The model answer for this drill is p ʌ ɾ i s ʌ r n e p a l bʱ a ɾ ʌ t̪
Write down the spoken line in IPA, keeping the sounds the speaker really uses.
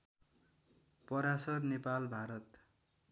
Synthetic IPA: p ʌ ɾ a s ʌ r n e p a l bʱ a ɾ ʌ t̪